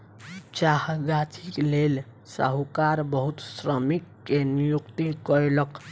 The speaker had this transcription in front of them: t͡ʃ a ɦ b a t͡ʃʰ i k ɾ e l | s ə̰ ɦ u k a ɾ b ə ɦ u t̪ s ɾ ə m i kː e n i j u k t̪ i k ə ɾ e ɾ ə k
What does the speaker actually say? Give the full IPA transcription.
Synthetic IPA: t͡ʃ a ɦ ɡ a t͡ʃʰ i k l e l | s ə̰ ɦ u k a ɾ b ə ɦ u t̪ s ɾ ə m i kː e n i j u k t̪ i k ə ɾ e l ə k